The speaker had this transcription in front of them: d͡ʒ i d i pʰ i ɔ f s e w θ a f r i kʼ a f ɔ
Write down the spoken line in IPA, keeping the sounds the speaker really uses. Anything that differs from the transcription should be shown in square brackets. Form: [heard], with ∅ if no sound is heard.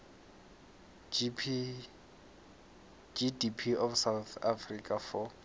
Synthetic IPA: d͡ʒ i d i pʰ i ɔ f s [a] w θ a f r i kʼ a f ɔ